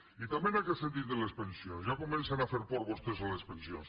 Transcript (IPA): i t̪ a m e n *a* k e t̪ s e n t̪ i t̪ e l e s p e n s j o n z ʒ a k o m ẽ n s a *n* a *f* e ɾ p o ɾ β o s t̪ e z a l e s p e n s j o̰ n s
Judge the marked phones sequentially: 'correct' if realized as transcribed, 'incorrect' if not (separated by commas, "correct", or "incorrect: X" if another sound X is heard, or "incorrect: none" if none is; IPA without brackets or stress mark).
correct, correct, correct